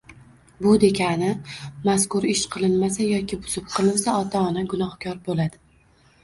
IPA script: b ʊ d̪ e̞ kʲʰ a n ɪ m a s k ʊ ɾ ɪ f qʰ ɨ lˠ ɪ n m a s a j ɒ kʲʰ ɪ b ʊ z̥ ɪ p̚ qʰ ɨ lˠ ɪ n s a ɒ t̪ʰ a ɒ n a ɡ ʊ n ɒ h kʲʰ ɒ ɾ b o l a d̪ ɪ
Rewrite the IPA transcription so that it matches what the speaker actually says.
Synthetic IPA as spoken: b ʊ d̪ e̞ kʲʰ a n ɪ m a s k ʊ ɾ ɪ ʃ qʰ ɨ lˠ ɪ n m a s a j ɒ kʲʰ ɪ b ʊ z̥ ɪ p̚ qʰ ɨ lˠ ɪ n s a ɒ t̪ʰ a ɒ n a ɡ ʊ n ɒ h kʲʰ ɒ ɾ b o l a d̪ ɪ